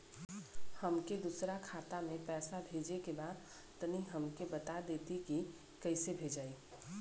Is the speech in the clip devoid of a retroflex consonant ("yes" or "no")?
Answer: yes